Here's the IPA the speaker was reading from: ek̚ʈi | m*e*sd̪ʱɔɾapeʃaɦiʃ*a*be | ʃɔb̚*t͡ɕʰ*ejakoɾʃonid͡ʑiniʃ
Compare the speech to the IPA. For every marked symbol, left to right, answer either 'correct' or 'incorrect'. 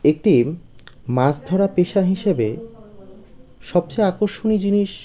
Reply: incorrect: a, incorrect: e, incorrect: t͡ɕ

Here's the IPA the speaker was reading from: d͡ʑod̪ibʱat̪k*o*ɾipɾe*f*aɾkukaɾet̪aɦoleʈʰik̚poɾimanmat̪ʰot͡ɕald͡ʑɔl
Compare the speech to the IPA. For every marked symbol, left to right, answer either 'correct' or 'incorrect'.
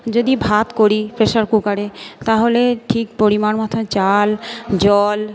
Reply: correct, incorrect: ʃ

